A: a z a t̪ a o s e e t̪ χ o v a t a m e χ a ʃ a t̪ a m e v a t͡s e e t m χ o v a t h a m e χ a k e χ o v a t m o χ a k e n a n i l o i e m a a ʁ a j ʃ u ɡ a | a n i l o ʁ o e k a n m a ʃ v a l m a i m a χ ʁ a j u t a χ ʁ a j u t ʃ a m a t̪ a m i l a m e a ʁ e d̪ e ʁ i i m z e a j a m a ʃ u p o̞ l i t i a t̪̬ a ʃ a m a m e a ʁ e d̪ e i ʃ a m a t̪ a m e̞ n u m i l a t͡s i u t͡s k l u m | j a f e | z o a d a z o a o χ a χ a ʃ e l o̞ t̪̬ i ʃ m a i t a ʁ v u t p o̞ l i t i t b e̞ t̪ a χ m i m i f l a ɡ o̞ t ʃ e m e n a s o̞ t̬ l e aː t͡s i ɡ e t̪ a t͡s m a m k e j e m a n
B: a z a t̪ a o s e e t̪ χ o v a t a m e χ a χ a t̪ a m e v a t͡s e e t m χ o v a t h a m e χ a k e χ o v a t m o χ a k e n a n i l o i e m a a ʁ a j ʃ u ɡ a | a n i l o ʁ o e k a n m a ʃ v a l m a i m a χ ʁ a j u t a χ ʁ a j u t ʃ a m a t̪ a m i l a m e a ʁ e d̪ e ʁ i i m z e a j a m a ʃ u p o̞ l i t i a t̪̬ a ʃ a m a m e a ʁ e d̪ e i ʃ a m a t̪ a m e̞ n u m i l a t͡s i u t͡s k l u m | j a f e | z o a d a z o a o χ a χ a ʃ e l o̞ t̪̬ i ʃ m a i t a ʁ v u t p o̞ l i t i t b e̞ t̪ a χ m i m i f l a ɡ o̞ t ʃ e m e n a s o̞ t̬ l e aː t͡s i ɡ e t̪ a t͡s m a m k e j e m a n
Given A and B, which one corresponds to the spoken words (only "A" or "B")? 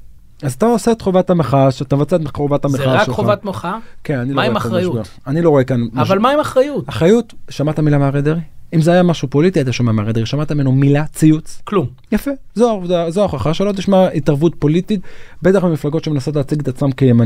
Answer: A